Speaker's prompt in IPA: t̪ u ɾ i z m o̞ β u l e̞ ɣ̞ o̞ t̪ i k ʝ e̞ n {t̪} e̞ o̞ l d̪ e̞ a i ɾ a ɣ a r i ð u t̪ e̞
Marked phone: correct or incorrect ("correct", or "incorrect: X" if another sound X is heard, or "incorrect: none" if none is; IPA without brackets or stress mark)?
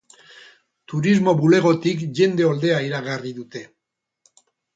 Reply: incorrect: d̪